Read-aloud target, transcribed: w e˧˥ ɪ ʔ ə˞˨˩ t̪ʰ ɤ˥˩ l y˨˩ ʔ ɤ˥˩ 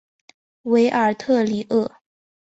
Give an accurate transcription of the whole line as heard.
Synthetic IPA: w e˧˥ ɪ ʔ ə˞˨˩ t̪ʰ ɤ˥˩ l i˨˩ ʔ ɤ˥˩